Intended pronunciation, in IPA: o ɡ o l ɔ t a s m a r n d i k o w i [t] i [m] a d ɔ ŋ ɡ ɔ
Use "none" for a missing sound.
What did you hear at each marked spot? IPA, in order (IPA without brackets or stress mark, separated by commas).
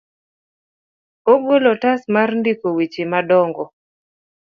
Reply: t͡ʃ, m